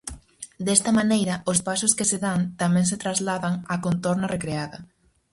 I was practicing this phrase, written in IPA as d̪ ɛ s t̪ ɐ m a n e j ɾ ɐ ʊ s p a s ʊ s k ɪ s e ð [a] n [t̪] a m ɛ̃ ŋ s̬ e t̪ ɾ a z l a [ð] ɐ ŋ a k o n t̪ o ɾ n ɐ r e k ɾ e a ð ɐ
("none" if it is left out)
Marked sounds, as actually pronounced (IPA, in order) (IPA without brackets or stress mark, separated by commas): a, t̪, ð